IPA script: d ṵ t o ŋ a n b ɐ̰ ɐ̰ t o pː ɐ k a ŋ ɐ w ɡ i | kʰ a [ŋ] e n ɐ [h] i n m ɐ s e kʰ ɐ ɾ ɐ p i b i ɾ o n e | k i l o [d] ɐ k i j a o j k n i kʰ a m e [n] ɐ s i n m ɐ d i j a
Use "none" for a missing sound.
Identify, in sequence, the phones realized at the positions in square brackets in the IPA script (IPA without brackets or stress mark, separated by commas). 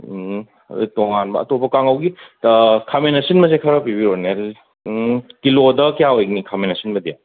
m, s, d, n